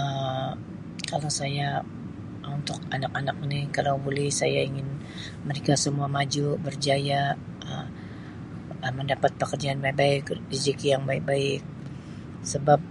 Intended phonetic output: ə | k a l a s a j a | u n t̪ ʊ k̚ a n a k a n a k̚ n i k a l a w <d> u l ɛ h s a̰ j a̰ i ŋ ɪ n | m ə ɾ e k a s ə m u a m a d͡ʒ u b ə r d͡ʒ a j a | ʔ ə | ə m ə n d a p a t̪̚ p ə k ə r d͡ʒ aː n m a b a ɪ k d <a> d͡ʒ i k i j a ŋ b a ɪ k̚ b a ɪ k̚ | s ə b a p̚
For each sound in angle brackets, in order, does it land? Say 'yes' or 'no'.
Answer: no, no

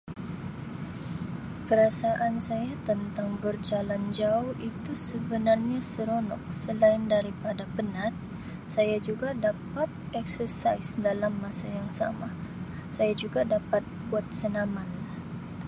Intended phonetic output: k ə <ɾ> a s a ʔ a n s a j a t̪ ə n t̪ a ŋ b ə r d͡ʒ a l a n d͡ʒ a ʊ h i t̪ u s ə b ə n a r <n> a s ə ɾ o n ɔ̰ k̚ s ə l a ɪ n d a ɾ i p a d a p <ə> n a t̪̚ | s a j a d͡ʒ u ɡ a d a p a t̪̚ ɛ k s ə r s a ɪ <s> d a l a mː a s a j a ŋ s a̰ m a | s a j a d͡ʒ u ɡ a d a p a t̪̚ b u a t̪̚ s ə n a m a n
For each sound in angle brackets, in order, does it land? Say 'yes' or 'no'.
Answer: yes, no, yes, yes

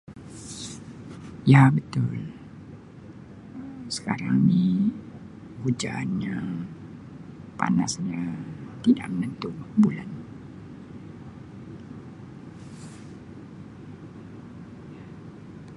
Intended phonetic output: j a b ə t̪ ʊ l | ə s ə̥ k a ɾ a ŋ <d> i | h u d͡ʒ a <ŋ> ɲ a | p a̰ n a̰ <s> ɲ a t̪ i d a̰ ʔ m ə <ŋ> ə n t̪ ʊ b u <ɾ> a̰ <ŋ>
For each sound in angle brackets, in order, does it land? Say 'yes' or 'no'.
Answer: no, no, yes, no, no, no

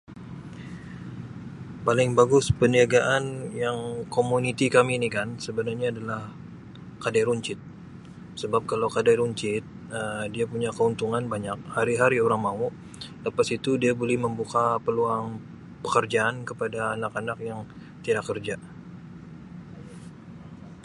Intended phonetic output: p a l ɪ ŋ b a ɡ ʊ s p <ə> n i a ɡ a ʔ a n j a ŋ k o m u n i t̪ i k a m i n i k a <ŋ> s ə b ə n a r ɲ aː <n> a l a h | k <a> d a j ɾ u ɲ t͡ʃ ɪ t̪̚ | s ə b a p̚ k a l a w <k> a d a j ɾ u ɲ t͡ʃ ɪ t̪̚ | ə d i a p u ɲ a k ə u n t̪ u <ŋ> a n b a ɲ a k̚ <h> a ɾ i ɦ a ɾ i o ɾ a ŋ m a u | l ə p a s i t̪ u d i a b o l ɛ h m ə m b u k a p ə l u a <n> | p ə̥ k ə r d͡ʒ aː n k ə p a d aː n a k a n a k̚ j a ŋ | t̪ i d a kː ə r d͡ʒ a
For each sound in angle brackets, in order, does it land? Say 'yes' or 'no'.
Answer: yes, no, no, yes, yes, yes, yes, no

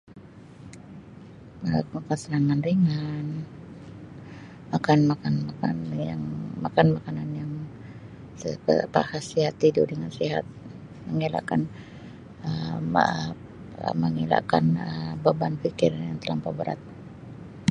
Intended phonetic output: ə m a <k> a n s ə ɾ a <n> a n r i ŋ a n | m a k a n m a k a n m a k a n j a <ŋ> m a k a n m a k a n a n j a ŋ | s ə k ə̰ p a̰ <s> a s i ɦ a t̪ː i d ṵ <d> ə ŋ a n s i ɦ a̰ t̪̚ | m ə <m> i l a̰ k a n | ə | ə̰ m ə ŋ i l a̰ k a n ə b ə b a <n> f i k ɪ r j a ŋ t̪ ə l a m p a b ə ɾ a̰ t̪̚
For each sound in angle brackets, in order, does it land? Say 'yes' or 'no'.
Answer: yes, no, yes, no, yes, no, yes

